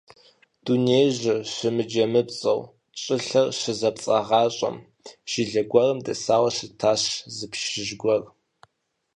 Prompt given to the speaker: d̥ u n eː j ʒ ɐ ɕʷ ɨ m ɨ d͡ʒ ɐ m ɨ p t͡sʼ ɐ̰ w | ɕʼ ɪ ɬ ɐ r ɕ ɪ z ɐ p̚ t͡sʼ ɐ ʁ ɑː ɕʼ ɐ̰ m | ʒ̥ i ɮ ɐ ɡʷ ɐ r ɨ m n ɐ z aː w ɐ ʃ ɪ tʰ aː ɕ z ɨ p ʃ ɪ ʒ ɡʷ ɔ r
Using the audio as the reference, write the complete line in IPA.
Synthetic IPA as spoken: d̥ u n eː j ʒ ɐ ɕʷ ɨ m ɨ d͡ʒ ɐ m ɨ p t͡sʼ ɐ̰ w | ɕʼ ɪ ɬ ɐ r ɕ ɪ z ɐ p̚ t͡sʼ ɐ ʁ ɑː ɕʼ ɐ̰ m | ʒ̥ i ɮ ɐ ɡʷ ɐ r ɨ m d ɐ s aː w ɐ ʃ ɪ tʰ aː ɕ z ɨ p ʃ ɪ ʒ ɡʷ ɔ r